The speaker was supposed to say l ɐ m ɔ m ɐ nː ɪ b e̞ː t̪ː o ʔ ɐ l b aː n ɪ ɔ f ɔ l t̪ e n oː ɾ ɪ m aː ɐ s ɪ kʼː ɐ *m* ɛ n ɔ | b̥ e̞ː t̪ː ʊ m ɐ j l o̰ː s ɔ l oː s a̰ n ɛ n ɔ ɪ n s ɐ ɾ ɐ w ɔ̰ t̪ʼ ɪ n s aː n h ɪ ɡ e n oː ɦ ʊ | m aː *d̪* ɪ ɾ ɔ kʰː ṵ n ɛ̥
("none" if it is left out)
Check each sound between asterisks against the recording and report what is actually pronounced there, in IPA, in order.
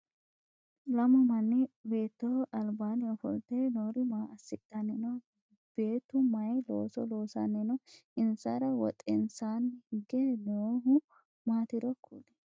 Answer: n, t̪

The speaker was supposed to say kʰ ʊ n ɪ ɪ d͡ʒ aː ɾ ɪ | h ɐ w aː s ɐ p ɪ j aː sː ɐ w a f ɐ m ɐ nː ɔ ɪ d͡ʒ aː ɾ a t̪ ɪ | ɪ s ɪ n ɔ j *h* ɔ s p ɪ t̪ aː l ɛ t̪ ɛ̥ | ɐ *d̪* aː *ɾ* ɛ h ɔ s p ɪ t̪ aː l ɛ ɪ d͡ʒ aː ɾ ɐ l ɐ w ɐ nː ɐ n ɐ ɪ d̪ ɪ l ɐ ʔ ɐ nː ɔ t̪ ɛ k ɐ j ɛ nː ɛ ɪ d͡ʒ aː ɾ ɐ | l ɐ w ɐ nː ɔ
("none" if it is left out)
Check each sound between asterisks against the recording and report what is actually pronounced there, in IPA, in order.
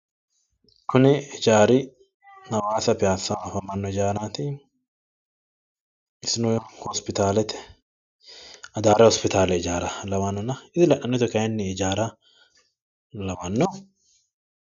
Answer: h, d̪, ɾ

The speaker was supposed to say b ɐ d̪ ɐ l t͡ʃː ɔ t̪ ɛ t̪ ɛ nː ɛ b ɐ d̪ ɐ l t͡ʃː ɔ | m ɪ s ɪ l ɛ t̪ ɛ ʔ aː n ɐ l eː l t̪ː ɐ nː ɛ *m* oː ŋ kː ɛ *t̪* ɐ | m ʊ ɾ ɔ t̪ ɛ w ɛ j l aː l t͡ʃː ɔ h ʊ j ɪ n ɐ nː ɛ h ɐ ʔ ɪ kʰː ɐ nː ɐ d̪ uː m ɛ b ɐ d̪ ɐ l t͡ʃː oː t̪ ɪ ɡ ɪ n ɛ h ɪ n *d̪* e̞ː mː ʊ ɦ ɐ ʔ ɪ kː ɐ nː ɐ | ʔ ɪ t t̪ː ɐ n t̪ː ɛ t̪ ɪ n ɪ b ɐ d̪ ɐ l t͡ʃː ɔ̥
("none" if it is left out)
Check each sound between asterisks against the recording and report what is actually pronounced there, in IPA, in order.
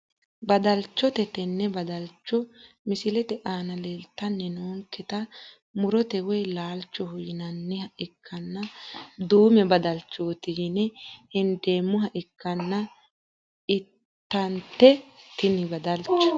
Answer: n, t̪, d̪

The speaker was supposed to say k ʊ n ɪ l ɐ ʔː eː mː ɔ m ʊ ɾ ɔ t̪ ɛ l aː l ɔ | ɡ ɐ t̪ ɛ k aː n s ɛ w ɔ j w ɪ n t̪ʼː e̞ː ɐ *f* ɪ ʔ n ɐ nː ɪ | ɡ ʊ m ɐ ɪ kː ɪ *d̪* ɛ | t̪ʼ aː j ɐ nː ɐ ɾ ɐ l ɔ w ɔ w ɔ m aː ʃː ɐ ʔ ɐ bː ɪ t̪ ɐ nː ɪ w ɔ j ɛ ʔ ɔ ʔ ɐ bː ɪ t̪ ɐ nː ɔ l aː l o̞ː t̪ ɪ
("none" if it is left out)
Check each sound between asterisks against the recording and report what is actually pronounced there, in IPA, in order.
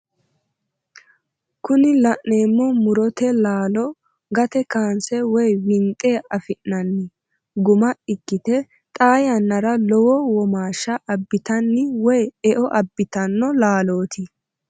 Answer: f, t̪

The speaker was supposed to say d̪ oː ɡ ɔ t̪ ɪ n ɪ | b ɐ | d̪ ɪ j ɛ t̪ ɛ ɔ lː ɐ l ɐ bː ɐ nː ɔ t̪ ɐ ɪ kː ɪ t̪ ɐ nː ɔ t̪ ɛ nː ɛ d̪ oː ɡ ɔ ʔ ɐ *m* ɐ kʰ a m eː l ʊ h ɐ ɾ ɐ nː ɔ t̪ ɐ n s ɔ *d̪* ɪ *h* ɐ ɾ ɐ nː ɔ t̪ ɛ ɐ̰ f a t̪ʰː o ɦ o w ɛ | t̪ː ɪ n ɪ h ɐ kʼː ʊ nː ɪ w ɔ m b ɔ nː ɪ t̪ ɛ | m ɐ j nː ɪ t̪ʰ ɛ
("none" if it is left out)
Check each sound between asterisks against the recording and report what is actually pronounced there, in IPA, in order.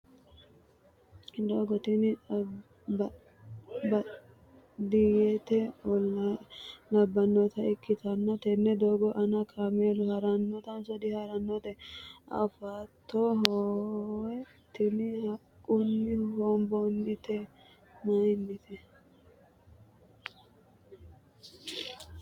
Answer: n, d̪, h

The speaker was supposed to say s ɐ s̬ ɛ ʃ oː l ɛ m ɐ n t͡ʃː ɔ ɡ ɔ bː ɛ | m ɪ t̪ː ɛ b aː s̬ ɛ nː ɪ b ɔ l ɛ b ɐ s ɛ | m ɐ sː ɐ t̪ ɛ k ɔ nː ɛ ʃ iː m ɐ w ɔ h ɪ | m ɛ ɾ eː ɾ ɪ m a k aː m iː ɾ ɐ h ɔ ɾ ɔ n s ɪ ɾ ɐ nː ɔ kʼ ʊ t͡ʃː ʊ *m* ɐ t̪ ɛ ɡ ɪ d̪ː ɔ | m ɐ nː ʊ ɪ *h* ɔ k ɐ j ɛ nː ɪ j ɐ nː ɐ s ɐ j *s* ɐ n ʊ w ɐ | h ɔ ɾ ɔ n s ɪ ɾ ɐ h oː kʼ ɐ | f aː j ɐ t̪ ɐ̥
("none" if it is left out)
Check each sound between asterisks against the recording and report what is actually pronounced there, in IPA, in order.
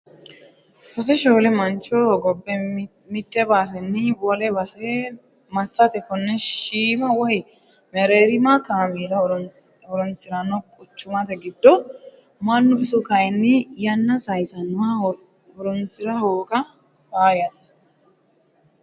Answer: m, s, s

